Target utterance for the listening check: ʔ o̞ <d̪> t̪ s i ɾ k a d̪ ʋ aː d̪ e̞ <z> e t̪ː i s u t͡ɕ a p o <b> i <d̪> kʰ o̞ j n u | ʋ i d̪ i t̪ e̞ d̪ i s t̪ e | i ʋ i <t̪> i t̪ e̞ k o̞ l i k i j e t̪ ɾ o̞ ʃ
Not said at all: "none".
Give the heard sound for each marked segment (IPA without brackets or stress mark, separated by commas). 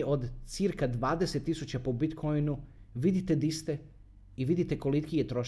d̪, s, b, t̪, d̪